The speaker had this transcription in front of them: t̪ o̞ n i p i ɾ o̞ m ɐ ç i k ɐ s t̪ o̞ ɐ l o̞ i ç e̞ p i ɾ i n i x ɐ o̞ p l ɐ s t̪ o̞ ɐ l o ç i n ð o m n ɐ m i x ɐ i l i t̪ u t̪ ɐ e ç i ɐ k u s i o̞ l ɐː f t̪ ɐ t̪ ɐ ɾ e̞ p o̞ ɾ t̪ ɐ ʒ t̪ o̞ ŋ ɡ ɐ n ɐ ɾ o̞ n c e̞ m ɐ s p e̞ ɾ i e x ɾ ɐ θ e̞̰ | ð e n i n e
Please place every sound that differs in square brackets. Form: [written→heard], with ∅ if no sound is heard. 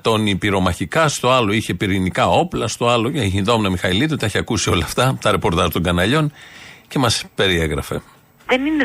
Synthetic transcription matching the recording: t̪ o̞ n i p i ɾ o̞ m ɐ ç i k ɐ s t̪ o̞ ɐ l o̞ i ç e̞ p i ɾ i n i [x→k] ɐ o̞ p l ɐ s t̪ o̞ ɐ l o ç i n ð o m n ɐ m i x ɐ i l i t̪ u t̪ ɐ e ç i ɐ k u s i o̞ l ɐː f t̪ ɐ t̪ ɐ ɾ e̞ p o̞ ɾ t̪ ɐ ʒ t̪ o̞ ŋ ɡ ɐ n ɐ [ɾ→ʎ] o̞ n c e̞ m ɐ s p e̞ ɾ i e [x→ɣ] ɾ ɐ [θ→f] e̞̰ | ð e n i n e